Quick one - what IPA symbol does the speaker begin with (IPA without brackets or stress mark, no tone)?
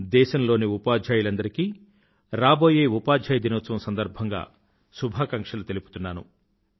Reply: d̪